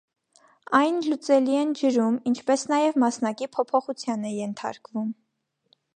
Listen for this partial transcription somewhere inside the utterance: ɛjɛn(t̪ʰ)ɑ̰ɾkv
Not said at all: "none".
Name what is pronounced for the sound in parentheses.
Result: t̪ʰ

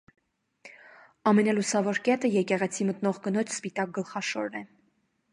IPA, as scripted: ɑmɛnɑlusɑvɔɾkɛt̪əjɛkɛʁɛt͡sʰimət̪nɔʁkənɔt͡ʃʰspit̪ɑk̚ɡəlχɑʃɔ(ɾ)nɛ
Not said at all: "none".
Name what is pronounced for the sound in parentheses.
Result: ɾ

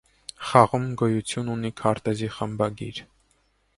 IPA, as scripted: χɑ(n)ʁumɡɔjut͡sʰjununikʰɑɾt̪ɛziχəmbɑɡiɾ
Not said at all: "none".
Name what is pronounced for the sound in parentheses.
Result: none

